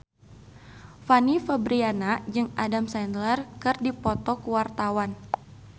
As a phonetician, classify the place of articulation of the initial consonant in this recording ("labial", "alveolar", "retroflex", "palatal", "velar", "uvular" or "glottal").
labial